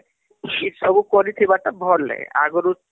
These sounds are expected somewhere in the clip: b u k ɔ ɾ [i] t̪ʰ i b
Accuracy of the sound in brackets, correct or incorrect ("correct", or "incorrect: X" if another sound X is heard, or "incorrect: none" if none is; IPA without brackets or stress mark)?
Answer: correct